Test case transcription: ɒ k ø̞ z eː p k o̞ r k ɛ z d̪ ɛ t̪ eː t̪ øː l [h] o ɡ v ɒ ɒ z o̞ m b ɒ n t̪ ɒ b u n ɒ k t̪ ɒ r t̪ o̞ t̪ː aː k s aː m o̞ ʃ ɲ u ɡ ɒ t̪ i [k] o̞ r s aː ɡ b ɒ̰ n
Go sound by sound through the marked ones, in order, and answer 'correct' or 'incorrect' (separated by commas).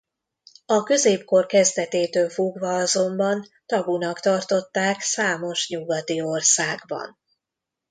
incorrect, incorrect